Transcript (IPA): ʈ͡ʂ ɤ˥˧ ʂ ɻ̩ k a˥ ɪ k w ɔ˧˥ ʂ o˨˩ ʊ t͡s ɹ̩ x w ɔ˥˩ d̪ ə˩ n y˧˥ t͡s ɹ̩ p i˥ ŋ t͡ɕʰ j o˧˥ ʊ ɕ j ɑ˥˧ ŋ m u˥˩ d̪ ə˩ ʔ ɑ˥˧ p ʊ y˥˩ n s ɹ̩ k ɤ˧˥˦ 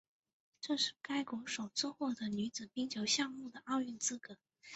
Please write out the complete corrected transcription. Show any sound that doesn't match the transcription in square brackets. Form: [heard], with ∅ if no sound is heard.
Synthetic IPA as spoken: ʈ͡ʂ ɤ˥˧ ʂ ɻ̩ k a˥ ɪ k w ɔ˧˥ ʂ o˨˩ ʊ t͡s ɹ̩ x w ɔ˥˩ d̪ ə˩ n y˧˥ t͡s ɹ̩ p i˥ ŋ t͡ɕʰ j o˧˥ ʊ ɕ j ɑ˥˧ ŋ m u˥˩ d̪ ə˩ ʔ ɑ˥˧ [∅] ʊ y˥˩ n [t͡s] ɹ̩ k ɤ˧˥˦